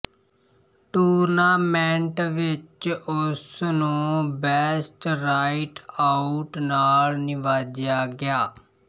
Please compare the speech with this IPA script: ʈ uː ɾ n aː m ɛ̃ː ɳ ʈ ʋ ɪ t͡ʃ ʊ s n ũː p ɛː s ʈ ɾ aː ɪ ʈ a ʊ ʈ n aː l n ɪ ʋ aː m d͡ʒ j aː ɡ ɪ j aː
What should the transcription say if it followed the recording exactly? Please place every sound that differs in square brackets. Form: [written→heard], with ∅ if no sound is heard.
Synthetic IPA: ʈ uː ɾ n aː m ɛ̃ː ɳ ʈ ʋ ɪ t͡ʃ ʊ s n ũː [p→b] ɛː s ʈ ɾ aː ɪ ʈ a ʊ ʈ n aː l n ɪ ʋ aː [m→∅] d͡ʒ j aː ɡ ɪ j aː